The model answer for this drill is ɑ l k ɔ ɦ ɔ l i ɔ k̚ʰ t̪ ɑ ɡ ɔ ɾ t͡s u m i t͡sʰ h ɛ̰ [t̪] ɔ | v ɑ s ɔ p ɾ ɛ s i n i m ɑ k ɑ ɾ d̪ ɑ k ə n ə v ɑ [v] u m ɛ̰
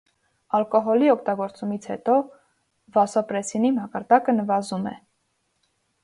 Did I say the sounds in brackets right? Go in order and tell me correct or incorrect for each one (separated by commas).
correct, incorrect